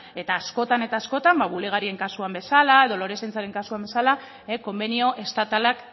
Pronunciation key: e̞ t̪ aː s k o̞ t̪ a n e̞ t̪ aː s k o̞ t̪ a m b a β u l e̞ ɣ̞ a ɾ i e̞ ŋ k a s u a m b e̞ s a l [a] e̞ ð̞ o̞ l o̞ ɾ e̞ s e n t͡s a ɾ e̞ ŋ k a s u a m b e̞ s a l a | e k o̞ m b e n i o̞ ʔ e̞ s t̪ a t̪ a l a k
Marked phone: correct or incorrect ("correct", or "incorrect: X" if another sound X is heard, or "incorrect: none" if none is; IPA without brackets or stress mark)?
correct